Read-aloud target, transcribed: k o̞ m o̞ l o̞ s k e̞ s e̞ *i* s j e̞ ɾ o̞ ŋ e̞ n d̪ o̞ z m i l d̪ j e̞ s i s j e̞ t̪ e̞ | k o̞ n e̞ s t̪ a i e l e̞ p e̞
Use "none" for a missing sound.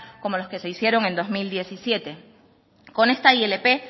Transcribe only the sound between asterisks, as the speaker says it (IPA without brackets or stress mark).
i